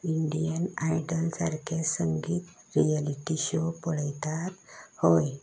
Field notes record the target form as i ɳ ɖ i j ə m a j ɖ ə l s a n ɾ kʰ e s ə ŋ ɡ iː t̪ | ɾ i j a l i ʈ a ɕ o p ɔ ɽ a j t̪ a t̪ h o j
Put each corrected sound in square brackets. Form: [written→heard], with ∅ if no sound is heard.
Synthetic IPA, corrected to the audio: i ɳ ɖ i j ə [m→n] a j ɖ ə l s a [n→∅] ɾ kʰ e s ə ŋ ɡ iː t̪ | ɾ i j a l i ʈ [a→i] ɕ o p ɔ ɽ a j t̪ a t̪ h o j